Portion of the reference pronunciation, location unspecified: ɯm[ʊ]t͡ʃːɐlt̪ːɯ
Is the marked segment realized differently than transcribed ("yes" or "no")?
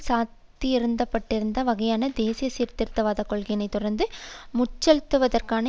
no